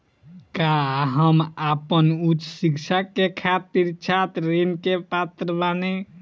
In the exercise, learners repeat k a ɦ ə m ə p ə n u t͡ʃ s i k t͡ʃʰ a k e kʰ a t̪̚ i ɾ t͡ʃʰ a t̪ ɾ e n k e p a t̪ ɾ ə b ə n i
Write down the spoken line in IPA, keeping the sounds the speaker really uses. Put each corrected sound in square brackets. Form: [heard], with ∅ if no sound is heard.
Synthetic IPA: k a ɦ ə m [a] p ə n u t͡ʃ s i k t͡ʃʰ a k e kʰ a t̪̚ i ɾ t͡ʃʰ a t̪ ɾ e n k e p a t̪ ɾ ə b [a] n [e]